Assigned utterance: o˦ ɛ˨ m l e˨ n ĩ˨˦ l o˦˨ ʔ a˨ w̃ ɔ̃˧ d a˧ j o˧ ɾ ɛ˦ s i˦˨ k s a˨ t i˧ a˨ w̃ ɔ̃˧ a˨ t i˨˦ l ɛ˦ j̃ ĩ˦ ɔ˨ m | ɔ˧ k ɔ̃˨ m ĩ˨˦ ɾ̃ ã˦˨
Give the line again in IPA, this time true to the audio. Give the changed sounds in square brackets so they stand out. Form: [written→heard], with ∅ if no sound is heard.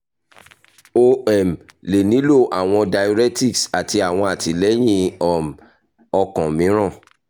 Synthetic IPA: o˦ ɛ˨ m l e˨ n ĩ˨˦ l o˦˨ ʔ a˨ w̃ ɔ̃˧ d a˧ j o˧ ɾ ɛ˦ [s→t] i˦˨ k s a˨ t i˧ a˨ w̃ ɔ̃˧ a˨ t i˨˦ l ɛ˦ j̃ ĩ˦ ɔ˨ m | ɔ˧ k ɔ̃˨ m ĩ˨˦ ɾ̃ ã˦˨

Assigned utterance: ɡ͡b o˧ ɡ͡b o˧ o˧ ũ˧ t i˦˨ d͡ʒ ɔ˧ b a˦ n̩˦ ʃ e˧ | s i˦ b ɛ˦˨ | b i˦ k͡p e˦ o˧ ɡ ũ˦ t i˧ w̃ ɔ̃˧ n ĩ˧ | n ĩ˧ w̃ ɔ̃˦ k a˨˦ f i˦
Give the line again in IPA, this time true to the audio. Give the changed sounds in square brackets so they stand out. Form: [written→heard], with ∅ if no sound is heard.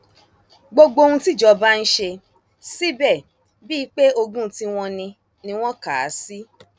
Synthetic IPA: ɡ͡b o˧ ɡ͡b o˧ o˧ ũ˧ t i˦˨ d͡ʒ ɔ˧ b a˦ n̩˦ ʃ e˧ | s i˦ b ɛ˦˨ | b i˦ k͡p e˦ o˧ ɡ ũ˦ t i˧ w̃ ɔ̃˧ n ĩ˧ | n ĩ˧ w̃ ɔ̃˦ k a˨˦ [f→s] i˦

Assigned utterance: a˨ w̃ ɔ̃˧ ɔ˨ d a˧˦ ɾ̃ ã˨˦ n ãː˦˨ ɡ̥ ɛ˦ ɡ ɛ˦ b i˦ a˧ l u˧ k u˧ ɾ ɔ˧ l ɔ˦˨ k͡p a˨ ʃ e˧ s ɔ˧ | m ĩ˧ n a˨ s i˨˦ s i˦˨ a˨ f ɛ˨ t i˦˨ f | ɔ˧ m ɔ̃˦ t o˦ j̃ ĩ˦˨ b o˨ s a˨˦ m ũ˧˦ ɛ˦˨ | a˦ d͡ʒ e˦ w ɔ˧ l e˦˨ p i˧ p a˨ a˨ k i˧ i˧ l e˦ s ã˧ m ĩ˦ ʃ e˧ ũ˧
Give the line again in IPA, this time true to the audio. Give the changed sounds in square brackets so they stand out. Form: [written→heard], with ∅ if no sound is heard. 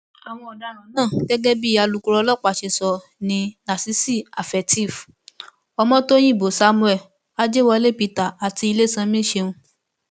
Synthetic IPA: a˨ w̃ ɔ̃˧ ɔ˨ d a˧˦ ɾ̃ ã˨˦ n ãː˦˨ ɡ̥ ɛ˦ ɡ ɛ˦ b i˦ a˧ l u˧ k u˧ ɾ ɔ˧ l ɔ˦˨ k͡p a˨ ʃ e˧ s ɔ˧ | [m→n] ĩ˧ n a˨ s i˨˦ s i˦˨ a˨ f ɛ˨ t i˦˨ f | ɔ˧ m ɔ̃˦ t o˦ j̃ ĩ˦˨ b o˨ s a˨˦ m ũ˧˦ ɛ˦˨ | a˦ d͡ʒ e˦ w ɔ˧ l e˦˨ p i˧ [p→t] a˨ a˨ [k→t] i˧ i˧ l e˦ s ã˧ m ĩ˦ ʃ e˧ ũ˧

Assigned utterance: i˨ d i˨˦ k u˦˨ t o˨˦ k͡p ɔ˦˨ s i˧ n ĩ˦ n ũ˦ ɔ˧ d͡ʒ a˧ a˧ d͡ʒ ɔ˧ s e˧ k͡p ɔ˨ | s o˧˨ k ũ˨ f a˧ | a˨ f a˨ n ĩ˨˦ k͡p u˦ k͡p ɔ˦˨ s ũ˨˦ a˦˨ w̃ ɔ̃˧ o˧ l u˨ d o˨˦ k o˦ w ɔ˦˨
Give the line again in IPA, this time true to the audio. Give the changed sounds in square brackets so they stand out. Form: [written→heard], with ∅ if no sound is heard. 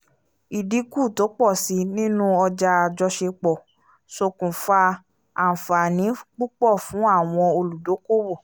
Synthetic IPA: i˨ d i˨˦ k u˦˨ t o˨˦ k͡p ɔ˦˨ s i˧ n ĩ˦ n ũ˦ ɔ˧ d͡ʒ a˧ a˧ d͡ʒ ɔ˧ [s→ʃ] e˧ k͡p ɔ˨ | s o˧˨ k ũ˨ f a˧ | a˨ f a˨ n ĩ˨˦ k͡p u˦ k͡p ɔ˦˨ [s→f] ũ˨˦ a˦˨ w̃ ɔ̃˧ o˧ l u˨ d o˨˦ k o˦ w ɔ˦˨

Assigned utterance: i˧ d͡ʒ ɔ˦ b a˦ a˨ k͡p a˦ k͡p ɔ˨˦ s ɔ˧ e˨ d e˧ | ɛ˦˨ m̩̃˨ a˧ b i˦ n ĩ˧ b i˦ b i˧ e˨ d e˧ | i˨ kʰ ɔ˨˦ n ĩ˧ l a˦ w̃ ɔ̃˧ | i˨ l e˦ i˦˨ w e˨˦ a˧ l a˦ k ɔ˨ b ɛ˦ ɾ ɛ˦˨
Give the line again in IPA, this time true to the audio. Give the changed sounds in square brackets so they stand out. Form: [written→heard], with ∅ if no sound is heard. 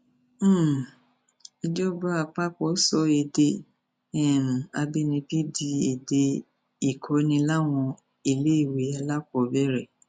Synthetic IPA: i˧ d͡ʒ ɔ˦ b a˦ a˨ k͡p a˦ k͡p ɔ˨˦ s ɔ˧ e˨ d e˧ | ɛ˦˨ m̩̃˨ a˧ b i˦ n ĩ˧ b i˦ [b→d] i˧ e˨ d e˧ | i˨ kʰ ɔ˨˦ n ĩ˧ l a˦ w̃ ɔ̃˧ | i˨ l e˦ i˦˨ w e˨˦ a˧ l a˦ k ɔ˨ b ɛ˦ ɾ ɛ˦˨

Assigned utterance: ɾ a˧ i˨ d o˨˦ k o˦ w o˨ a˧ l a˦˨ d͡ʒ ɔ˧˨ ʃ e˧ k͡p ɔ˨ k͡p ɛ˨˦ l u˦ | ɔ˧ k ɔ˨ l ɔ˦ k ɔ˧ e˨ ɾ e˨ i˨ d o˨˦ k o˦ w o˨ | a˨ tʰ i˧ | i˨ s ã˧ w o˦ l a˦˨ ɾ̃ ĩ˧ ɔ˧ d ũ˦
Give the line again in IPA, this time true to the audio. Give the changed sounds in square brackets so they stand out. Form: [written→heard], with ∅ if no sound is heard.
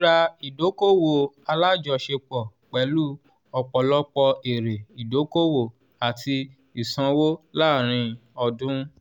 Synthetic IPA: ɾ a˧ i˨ d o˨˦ k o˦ w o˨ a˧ l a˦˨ d͡ʒ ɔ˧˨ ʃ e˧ k͡p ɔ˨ k͡p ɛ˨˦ l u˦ | ɔ˧ [k→k͡p] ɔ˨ l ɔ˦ [k→k͡p] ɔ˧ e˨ ɾ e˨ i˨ d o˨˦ k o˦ w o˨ | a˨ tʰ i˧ | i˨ s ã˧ w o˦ l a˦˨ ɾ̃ ĩ˧ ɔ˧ d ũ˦

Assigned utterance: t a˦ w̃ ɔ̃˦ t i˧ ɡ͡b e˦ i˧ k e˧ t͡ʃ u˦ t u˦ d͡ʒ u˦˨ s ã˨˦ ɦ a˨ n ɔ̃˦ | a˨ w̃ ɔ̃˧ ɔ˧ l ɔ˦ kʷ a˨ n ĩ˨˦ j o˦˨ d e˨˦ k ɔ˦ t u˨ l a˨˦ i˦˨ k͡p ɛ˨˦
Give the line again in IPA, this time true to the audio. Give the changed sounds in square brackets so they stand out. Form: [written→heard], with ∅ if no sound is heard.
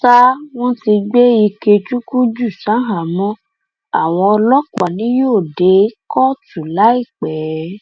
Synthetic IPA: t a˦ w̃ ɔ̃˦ t i˧ ɡ͡b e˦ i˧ k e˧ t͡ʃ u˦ [t→k] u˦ d͡ʒ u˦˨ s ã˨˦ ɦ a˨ [n→m] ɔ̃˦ | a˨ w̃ ɔ̃˧ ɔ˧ l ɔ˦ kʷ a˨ n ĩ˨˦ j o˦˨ d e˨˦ k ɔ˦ t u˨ l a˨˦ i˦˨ k͡p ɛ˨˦

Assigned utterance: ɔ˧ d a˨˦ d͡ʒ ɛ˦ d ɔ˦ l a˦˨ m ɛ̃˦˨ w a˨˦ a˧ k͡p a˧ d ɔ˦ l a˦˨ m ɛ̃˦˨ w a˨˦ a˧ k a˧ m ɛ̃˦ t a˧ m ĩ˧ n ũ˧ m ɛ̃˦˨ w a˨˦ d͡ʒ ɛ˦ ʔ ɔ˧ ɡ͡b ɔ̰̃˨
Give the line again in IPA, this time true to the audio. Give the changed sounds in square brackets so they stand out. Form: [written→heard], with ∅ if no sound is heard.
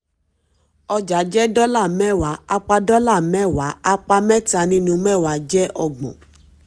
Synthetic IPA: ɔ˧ [d→d͡ʒ] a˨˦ d͡ʒ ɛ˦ d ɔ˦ l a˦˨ m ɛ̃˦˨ w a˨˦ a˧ k͡p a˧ d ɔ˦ l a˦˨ m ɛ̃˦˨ w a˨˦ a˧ [k→k͡p] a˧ m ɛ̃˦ t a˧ [m→n] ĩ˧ n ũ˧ m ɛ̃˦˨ w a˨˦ d͡ʒ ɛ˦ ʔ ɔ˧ ɡ͡b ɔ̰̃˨

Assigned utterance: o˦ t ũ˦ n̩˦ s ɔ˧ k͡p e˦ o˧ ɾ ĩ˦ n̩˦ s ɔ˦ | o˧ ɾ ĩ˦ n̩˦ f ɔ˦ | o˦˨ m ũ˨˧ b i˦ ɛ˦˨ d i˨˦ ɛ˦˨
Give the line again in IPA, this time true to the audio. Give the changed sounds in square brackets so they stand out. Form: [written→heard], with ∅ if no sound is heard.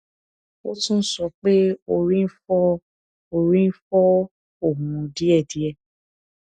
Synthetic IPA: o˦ t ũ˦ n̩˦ s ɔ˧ k͡p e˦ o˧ ɾ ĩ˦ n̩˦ [s→f] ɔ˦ | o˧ ɾ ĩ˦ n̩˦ f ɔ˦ | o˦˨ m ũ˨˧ [b→d] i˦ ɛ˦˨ d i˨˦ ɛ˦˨

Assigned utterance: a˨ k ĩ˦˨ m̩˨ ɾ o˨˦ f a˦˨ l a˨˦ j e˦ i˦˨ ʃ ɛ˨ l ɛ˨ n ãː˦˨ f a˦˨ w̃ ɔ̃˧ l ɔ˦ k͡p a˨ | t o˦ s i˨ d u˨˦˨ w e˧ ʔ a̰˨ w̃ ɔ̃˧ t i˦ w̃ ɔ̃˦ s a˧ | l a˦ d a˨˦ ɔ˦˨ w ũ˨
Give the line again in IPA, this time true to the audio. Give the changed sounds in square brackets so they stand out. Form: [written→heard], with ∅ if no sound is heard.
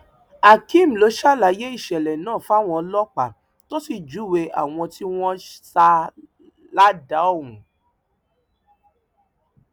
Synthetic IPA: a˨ k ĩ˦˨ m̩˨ [ɾ→l] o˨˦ [f→ʃ] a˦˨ l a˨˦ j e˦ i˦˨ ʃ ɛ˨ l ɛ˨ n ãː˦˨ f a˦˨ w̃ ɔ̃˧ l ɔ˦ k͡p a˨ | t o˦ s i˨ [d→d͡ʒ] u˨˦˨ w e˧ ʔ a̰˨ w̃ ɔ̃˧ t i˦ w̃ ɔ̃˦ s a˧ | l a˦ d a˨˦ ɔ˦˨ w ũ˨

